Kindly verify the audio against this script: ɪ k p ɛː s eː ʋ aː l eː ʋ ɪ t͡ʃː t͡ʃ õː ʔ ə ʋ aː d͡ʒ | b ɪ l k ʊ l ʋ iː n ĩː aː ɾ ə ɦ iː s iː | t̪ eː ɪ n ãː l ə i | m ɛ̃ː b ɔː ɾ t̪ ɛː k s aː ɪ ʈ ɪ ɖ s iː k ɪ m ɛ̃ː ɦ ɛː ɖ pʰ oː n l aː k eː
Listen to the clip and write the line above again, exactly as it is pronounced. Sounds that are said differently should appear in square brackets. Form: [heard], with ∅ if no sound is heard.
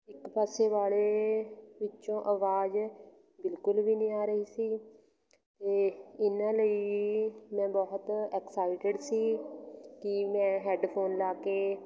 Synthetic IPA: ɪ k p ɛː s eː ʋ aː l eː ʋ ɪ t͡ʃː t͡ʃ õː ʔ ə ʋ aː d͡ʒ | b ɪ l k ʊ l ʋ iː n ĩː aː ɾ ə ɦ iː s iː | t̪ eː ɪ n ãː l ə i | m ɛ̃ː b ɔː [∅] t̪ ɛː k s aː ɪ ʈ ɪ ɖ s iː k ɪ m ɛ̃ː ɦ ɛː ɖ pʰ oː n l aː k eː

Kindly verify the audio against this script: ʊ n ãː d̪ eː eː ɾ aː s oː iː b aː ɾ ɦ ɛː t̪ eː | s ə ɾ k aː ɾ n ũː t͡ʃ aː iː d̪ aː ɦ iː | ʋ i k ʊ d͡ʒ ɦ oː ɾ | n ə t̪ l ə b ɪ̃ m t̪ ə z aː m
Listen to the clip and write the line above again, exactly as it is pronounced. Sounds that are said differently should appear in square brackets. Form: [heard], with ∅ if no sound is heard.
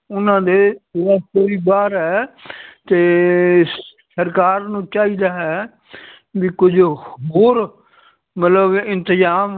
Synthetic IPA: ʊ n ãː d̪ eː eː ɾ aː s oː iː b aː ɾ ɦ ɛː t̪ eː | s ə ɾ k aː ɾ n ũː t͡ʃ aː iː d̪ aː ɦ [ɛː] | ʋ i k ʊ d͡ʒ ɦ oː ɾ | [m] ə t̪ l ə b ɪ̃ [n] t̪ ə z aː m

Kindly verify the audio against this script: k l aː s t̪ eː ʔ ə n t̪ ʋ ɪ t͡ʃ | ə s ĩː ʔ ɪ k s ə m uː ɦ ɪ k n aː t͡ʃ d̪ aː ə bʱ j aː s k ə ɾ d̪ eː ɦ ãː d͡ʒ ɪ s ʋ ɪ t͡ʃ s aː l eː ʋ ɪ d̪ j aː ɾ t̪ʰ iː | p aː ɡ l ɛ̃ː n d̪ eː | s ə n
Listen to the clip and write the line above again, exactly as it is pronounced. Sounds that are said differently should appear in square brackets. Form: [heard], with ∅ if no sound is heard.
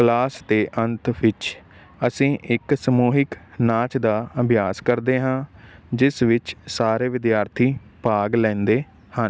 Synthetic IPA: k l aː s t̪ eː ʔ ə n t̪ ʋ ɪ t͡ʃ | ə s ĩː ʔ ɪ k s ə m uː ɦ ɪ k n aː t͡ʃ d̪ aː ə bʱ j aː s k ə ɾ d̪ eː ɦ ãː d͡ʒ ɪ s ʋ ɪ t͡ʃ s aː [ɾ] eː ʋ ɪ d̪ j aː ɾ t̪ʰ iː | p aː ɡ l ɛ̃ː n d̪ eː | [h] ə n

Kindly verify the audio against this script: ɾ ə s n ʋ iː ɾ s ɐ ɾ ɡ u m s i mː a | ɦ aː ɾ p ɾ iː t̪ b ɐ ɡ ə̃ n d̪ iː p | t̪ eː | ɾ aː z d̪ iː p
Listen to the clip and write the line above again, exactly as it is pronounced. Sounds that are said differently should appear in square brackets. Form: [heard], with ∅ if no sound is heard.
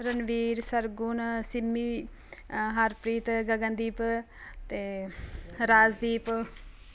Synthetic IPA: ɾ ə [∅] n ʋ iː ɾ s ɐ ɾ ɡ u [n] s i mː [i] | ɦ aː ɾ p ɾ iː t̪ [ɡ] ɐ ɡ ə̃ n d̪ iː p | t̪ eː | ɾ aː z d̪ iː p

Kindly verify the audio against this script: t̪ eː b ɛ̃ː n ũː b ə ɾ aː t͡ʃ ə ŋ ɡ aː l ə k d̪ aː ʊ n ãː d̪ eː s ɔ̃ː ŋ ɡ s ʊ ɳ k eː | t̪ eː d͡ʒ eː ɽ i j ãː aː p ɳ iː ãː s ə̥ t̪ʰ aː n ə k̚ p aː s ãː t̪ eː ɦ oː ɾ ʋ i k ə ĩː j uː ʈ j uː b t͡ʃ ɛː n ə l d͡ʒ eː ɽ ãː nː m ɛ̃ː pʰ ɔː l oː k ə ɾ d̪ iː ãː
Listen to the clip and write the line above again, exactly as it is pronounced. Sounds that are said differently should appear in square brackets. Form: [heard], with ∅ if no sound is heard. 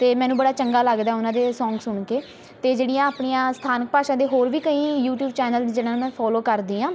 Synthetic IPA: t̪ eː [m] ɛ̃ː n ũː b ə [ɽ] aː t͡ʃ ə ŋ ɡ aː l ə [ɡ] d̪ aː ʊ n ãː d̪ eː s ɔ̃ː ŋ ɡ s ʊ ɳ k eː | t̪ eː d͡ʒ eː ɽ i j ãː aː p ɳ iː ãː s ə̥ t̪ʰ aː n ə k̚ p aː [ʃ] ãː [d̪] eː ɦ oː ɾ ʋ [iː] k ə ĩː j uː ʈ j uː b t͡ʃ ɛː n ə l d͡ʒ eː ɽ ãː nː m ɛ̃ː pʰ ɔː l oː k ə ɾ d̪ iː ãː

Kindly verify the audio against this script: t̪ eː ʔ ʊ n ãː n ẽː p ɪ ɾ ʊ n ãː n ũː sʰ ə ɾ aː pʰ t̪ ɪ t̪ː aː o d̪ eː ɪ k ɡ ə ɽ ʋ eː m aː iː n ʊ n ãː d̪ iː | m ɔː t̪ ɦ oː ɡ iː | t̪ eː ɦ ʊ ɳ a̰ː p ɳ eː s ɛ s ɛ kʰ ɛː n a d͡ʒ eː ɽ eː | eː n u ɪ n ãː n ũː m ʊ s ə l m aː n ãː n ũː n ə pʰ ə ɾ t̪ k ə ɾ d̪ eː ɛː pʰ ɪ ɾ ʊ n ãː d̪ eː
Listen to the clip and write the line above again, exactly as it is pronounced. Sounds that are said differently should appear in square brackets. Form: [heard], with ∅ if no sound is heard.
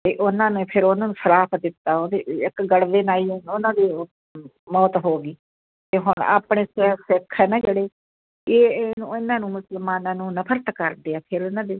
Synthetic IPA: t̪ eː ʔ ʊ n ãː n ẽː [pʰ] ɪ ɾ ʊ n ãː n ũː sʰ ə ɾ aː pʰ [d̪] ɪ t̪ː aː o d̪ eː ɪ k ɡ ə ɽ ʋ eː [n] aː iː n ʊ n ãː d̪ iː | m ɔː t̪ ɦ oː ɡ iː | t̪ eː ɦ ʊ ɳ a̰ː p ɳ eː s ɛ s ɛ kʰ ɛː n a d͡ʒ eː ɽ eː | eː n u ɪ n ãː n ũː m ʊ s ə l m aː n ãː n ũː n ə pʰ ə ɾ t̪ k ə ɾ d̪ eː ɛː pʰ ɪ ɾ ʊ n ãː d̪ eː

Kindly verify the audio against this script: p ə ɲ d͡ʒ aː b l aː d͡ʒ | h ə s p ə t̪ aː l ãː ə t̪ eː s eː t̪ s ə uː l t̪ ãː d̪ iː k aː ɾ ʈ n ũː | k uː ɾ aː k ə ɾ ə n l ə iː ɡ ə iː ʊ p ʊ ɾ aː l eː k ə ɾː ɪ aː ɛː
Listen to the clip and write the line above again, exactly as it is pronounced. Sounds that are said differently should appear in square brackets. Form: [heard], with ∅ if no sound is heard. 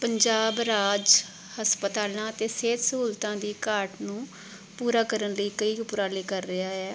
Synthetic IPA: p ə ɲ d͡ʒ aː b [ɾ] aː d͡ʒ | h ə s p ə t̪ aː l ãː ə t̪ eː s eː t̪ s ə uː l t̪ ãː d̪ iː k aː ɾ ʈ n ũː | [p] uː ɾ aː k ə ɾ ə n l ə iː [k] ə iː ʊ p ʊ ɾ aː l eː k ə ɾː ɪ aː ɛː

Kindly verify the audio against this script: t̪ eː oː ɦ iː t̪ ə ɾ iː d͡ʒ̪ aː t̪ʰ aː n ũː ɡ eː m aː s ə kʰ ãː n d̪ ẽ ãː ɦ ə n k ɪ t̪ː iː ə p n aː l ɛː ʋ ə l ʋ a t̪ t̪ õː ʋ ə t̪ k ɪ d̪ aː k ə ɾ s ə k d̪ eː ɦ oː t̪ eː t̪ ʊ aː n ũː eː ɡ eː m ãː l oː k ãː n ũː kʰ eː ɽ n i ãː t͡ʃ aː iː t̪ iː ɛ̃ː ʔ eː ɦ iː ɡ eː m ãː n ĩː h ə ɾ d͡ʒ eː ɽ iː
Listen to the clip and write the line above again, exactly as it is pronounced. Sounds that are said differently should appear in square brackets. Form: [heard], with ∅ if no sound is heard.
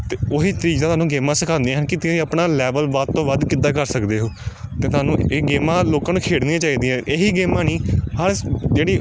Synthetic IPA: t̪ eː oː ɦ iː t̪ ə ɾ iː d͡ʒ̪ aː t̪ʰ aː n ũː ɡ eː m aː s ə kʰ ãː n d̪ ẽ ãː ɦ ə n k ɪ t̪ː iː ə p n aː l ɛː ʋ ə l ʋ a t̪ t̪ õː ʋ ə [d̪] k ɪ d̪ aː k ə ɾ s ə k d̪ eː ɦ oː t̪ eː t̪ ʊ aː n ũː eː ɡ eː m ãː l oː k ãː n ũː kʰ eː ɽ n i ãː t͡ʃ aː iː [d̪] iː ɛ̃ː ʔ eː ɦ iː ɡ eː m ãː n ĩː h ə ɾ d͡ʒ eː ɽ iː

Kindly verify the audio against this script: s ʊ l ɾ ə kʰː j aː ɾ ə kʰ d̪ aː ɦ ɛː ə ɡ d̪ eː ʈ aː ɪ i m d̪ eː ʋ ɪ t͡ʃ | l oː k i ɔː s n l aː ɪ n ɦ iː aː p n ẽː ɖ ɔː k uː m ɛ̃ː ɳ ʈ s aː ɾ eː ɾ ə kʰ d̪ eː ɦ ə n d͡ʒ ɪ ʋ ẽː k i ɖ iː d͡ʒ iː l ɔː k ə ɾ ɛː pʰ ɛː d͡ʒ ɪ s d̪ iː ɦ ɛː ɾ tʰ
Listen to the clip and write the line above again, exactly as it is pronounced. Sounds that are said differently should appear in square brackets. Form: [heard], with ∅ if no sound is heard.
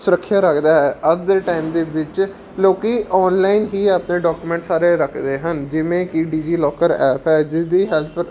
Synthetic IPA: s ʊ [∅] ɾ ə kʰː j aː ɾ ə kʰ d̪ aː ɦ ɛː ə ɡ d̪ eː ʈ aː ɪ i m d̪ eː ʋ ɪ t͡ʃ | l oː k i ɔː [∅] n l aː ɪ n ɦ iː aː p n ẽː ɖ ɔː k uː m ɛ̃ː ɳ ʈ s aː ɾ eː ɾ ə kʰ d̪ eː ɦ ə n d͡ʒ ɪ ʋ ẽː k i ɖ iː d͡ʒ iː l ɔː k ə ɾ ɛː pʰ ɛː d͡ʒ ɪ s d̪ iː ɦ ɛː [l] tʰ

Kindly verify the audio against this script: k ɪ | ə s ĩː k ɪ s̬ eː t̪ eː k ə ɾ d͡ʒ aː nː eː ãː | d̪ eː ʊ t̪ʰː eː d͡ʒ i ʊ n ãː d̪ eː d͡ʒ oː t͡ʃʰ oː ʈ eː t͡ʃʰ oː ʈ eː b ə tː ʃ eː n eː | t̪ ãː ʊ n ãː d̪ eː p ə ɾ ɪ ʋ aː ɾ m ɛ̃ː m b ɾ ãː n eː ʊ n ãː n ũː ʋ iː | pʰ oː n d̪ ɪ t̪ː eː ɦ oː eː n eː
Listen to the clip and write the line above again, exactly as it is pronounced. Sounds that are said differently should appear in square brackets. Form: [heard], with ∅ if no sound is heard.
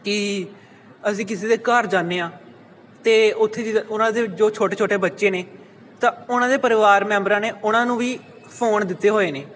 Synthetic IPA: k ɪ | ə s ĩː k ɪ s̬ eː [d̪] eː k ə ɾ d͡ʒ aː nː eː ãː | [t̪] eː ʊ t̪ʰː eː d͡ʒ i ʊ n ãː d̪ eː d͡ʒ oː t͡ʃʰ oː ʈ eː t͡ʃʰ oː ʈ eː b ə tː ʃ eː n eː | t̪ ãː ʊ n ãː d̪ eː p ə ɾ ɪ ʋ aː ɾ m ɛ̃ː m b ɾ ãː n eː ʊ n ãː n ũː ʋ iː | pʰ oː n d̪ ɪ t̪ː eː ɦ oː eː n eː

